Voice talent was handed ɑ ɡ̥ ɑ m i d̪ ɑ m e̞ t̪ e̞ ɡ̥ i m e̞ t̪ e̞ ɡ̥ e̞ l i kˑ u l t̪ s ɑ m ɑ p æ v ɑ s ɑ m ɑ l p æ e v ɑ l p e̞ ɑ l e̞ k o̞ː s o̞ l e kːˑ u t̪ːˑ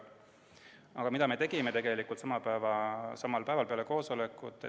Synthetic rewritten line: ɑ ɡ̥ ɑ m i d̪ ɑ m e̞ t̪ e̞ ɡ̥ i m e̞ t̪ e̞ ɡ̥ e̞ l i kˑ u l t̪ s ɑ m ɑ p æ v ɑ s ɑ m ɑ l p æ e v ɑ l p e̞ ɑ l e̞ k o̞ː s o̞ l e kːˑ u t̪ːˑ